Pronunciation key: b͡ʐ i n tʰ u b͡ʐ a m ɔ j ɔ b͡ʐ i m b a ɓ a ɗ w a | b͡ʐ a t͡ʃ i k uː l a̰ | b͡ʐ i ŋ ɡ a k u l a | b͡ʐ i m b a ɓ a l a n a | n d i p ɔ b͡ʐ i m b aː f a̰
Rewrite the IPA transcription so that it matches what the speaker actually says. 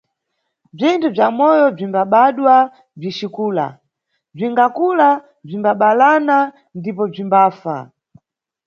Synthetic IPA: b͡ʐ i n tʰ u b͡ʐ a m ɔ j ɔ b͡ʐ i m b a ɓ a ɗ w a | b͡ʐ i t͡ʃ i k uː l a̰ | b͡ʐ i ŋ ɡ a k u l a | b͡ʐ i m b a ɓ a l a n a | n d i p ɔ b͡ʐ i m b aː f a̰